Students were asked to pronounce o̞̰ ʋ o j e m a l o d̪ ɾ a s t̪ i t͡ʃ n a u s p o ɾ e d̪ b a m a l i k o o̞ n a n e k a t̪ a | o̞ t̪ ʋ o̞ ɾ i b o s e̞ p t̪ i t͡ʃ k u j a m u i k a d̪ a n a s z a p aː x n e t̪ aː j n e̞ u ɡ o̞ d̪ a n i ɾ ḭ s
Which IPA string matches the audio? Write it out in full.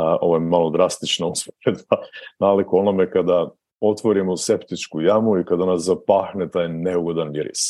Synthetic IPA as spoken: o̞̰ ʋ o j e m a l o d̪ ɾ a s t̪ i t͡ʃ n a u s p o ɾ e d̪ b a n a l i k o o̞ n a m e k a d̪ a | o̞ t̪ ʋ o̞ ɾ i m o s e̞ p t̪ i t͡ʃ k u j a m u i k a d̪ a n a s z a p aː x n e t̪ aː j n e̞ u ɡ o̞ d̪ a n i ɾ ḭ s